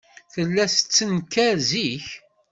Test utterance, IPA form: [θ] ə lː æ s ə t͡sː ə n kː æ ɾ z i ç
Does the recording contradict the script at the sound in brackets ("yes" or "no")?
no